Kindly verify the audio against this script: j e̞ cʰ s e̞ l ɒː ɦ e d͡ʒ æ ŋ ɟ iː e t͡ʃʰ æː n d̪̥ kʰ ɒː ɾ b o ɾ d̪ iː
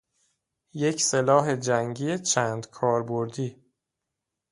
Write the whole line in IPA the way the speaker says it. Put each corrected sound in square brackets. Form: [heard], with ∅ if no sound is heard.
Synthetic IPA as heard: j e̞ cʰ s e̞ l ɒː ɦ e d͡ʒ æ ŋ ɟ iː e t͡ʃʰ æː n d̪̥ kʰ ɒː ɾ b o ɾ d̪ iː